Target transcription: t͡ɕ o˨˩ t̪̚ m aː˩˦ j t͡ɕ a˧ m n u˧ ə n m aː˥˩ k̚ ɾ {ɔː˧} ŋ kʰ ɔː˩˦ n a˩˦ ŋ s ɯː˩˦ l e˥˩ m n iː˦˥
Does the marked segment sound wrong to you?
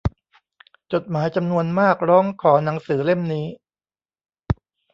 yes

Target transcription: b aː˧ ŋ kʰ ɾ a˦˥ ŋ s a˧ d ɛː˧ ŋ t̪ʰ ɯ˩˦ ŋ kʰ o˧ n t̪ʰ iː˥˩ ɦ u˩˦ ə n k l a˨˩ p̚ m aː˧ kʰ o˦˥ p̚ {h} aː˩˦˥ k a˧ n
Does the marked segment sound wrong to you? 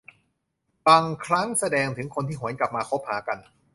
no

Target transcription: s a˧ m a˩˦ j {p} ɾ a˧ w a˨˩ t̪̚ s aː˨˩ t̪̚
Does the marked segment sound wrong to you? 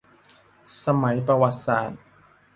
no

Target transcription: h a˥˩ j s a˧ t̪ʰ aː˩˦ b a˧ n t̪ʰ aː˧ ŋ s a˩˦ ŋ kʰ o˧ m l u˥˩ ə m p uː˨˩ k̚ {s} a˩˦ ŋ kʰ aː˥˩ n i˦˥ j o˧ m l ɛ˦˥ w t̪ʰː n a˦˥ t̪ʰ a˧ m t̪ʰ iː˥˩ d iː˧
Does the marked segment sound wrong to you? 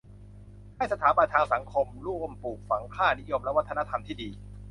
yes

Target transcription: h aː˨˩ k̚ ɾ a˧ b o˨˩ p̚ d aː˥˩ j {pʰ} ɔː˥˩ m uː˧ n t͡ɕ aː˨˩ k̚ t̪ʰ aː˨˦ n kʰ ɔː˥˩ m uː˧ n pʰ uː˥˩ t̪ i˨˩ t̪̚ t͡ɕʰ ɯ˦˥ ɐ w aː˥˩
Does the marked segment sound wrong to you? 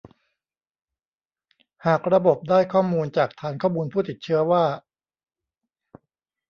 yes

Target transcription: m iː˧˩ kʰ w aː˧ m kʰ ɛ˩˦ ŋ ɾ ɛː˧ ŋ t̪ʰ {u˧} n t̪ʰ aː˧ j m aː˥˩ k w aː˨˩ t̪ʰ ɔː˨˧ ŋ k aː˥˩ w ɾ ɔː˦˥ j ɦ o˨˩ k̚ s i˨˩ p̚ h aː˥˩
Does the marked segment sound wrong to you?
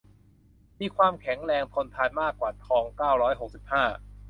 yes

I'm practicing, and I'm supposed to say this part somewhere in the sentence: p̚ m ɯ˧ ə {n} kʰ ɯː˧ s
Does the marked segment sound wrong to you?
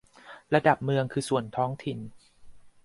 yes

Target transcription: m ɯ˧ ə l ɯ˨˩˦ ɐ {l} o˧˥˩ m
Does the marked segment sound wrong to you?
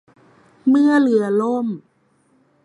no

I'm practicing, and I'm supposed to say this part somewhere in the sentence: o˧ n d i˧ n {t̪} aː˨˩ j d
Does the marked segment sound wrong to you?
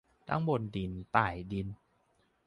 no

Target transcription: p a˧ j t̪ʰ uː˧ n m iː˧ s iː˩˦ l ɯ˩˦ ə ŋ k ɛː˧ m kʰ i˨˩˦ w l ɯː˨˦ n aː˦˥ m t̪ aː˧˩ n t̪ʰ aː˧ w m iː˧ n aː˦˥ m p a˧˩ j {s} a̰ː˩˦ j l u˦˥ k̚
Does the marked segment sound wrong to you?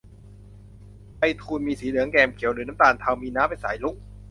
no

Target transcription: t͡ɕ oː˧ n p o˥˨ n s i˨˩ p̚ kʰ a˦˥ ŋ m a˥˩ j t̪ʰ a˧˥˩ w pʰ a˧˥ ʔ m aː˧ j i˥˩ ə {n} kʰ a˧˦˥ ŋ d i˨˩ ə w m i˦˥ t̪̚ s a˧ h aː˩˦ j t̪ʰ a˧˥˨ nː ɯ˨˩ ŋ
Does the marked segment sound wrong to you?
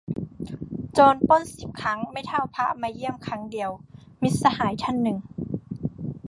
yes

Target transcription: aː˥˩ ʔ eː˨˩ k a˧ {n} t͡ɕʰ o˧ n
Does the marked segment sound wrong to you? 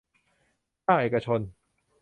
yes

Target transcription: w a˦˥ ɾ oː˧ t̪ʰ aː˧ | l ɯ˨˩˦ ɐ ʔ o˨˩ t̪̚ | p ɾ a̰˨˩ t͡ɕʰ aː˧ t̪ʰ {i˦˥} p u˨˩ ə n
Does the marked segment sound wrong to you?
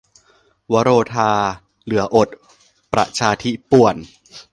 no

